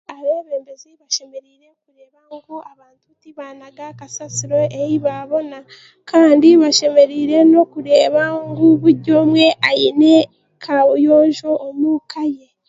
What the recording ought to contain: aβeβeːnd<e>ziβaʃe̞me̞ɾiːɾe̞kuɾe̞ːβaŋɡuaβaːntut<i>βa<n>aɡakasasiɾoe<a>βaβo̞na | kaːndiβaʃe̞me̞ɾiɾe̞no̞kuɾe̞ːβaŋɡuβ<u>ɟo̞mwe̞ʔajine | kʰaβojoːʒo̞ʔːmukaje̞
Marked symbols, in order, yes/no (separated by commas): yes, yes, yes, no, yes